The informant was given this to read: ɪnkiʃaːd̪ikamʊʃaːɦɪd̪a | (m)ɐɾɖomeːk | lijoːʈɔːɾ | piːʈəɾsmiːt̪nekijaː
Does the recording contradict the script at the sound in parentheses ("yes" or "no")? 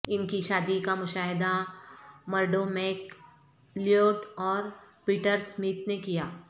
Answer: no